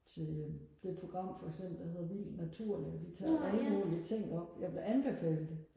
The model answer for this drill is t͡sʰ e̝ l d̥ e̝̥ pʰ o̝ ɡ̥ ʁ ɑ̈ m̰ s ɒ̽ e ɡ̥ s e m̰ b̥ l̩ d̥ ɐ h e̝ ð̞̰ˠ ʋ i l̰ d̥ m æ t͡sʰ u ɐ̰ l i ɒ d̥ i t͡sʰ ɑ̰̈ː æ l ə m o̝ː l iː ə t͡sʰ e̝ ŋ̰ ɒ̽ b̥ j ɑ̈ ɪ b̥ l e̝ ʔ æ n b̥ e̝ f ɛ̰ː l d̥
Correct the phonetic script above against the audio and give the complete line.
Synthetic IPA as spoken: t͡sʰ e̝ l d̥ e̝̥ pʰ o̝ ɡ̥ ʁ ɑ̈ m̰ f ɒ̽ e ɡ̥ s e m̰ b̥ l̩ d̥ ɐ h e̝ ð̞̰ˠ ʋ i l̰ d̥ n æ t͡sʰ u ɐ̰ l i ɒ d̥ i t͡sʰ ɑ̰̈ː æ l ə m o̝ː l i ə t͡sʰ e̝ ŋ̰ ɒ̽ b̥ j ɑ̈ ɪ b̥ l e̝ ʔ æ n b̥ e̝ f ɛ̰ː l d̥